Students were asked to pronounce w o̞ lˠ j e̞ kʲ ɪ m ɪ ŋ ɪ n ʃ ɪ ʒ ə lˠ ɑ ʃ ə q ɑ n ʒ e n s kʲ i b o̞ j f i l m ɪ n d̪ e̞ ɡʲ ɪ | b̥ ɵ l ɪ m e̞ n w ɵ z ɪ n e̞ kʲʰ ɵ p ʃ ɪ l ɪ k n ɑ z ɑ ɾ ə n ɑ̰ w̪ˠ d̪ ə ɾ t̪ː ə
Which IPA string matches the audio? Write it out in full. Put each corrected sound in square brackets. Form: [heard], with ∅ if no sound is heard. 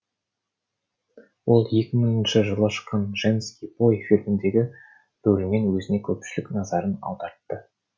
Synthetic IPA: w o̞ lˠ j e̞ kʲ ɪ m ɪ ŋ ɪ n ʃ ɪ ʒ ə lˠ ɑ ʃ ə q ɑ n ʒ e n s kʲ i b o̞ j f i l m ɪ n d̪ e̞ ɡʲ ɪ | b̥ ɵ l ɪ m e̞ n w ɵ z ɪ n e̞ kʲʰ ɵ p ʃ ɪ l ɪ k n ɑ z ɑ ɾ ə n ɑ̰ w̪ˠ d̪ [ɑ] ɾ t̪ː ə